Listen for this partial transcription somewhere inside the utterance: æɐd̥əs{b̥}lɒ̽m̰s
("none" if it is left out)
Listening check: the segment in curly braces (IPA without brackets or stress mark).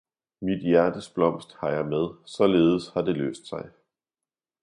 b̥